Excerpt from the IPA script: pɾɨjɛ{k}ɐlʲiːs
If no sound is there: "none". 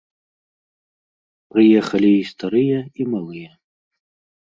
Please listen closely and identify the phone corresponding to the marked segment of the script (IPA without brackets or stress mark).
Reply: x